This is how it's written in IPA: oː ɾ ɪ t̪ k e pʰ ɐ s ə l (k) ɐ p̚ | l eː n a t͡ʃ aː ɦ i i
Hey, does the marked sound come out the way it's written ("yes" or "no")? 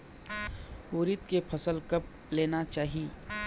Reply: yes